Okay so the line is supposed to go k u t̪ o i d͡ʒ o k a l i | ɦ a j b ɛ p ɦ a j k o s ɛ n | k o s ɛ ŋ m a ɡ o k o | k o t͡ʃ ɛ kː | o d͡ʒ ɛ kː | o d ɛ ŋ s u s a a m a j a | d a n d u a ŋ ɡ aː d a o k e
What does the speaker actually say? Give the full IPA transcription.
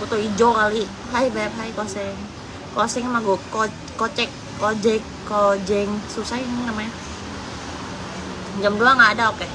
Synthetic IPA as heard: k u t̪ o i d͡ʒ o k a l i | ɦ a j b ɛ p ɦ a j k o s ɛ ŋ | k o s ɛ ŋ m a ɡ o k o | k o t͡ʃ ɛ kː | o d͡ʒ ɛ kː | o d͡ʒ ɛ ŋ s u s a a m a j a | d͡ʒ a m d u a ŋ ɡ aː d a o k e